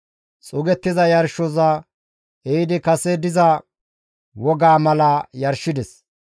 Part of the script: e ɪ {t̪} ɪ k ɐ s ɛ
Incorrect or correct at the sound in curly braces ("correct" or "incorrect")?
incorrect